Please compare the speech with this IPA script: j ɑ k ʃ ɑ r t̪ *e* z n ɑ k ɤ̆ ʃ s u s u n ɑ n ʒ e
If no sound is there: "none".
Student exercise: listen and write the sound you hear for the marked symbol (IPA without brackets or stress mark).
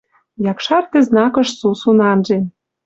e